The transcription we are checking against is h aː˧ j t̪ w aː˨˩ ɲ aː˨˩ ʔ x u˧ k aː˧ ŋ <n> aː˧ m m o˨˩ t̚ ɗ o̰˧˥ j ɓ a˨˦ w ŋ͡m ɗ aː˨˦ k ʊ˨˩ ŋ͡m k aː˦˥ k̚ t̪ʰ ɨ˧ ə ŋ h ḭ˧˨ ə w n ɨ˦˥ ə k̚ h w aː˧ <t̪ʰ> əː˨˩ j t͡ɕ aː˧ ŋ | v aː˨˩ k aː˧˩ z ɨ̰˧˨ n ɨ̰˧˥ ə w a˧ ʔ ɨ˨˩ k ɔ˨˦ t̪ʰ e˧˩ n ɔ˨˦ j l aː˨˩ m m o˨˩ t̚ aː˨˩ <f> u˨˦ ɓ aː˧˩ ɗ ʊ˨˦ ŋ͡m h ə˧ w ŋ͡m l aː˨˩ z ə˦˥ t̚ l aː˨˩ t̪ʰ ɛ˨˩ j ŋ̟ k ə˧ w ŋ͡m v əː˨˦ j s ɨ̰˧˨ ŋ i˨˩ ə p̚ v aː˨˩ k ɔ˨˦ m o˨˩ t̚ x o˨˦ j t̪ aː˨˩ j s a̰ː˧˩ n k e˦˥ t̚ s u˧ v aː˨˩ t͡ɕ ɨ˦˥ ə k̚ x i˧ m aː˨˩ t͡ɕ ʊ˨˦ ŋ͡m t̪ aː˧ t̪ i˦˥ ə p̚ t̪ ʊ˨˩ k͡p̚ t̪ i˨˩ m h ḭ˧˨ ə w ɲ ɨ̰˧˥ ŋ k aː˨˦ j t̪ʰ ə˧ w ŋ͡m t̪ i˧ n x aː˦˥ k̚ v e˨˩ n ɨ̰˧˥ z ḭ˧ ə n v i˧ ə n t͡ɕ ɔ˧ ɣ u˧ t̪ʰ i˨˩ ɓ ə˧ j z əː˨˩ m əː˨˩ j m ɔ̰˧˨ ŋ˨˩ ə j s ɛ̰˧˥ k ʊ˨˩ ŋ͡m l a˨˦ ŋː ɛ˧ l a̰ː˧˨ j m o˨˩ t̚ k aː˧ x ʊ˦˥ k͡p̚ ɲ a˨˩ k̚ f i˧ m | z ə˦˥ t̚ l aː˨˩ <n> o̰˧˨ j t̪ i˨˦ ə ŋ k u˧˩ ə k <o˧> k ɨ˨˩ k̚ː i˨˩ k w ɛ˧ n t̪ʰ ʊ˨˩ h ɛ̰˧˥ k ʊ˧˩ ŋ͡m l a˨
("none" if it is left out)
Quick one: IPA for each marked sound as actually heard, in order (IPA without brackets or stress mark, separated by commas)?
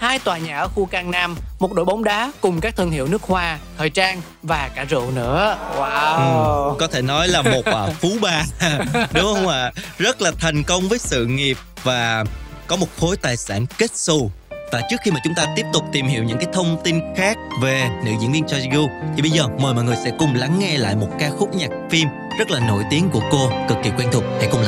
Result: n, t̪ʰ, f, n, o˧